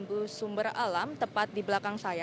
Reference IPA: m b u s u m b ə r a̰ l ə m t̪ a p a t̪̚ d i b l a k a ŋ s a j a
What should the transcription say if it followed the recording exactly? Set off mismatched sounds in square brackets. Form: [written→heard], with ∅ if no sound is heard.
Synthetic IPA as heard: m b u s u m b ə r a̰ l [ə→a] m t̪ [a→ə] p a t̪̚ d i b l a k a ŋ s a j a